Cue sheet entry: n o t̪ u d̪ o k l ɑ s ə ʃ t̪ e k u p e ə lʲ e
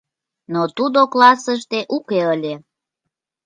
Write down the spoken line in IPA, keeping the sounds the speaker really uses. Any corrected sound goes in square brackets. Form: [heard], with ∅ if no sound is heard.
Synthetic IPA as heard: n o t̪ u d̪ o k l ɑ s ə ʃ t̪ e [ʔ] u [k] e ə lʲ e